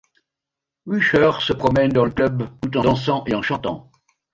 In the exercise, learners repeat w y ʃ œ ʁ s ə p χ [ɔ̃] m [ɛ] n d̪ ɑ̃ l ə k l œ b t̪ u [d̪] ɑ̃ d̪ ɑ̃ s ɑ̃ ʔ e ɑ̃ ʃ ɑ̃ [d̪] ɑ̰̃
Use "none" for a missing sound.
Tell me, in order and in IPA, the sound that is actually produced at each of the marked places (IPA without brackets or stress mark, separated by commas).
ɔ, ɛ, t̪, t̪